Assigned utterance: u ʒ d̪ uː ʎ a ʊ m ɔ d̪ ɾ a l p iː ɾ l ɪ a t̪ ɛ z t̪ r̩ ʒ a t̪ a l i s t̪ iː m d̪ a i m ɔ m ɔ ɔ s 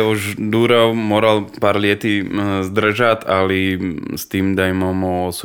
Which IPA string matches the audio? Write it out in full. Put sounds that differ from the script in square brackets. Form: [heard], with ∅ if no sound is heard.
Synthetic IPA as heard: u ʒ d̪ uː [ɾ] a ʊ m ɔ [∅] ɾ a l p [aː] ɾ l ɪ [ɛ] t̪ [i] z [d̪] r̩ ʒ a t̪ a l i s t̪ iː m d̪ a [j] m ɔ m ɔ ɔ s